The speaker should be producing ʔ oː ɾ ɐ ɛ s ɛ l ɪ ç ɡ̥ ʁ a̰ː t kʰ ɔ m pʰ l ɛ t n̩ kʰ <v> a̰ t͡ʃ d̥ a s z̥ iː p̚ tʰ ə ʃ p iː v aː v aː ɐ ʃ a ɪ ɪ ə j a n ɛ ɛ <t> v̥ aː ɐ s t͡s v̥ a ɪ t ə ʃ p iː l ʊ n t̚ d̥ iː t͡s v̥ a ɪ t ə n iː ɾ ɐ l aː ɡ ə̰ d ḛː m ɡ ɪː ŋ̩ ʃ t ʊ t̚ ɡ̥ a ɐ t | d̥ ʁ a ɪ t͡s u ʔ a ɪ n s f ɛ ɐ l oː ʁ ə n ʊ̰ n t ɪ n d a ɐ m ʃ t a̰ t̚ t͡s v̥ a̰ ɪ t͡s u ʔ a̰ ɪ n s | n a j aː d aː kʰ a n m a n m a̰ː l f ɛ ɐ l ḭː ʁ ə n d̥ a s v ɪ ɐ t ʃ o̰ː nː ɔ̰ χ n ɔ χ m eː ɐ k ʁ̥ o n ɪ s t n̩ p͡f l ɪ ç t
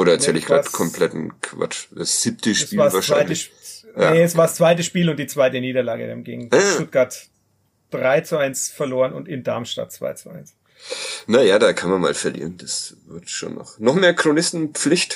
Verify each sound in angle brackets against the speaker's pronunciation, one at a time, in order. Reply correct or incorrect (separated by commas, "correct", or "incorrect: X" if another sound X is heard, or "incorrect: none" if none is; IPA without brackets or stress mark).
correct, incorrect: s